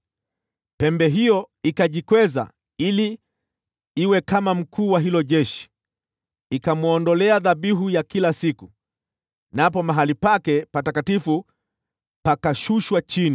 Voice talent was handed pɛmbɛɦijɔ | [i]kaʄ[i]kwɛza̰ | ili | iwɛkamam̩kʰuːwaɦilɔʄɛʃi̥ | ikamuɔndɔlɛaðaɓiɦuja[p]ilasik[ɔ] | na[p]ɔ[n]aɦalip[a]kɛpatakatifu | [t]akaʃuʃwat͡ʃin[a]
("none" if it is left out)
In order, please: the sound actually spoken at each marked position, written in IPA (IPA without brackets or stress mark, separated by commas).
i, i, k, u, p, m, a, p, i